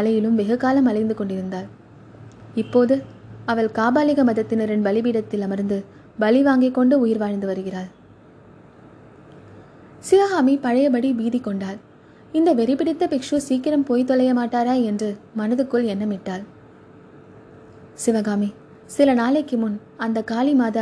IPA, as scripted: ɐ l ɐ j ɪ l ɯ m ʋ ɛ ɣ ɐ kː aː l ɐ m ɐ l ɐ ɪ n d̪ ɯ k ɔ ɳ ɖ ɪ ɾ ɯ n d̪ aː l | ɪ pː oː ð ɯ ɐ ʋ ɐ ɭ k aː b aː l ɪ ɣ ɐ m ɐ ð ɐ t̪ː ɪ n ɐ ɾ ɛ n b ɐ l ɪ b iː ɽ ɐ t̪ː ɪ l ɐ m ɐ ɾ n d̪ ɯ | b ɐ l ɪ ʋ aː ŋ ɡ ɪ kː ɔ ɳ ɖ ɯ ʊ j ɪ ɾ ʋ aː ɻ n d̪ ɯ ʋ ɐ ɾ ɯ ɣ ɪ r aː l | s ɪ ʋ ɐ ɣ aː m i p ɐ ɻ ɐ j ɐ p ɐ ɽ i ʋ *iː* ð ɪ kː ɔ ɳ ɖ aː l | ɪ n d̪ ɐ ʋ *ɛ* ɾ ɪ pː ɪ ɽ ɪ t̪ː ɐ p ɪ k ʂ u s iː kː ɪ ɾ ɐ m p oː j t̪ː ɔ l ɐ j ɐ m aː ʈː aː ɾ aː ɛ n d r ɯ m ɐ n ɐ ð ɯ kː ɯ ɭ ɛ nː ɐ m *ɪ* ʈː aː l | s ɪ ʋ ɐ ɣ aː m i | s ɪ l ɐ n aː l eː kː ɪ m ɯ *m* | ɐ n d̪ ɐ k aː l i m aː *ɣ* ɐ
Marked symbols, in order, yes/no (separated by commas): yes, yes, yes, no, no